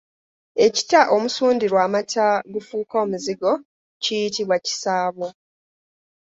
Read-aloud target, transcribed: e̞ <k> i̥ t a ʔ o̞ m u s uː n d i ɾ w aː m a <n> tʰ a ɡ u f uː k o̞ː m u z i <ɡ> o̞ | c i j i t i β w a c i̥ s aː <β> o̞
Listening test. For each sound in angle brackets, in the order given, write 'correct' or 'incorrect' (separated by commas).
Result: incorrect, incorrect, correct, correct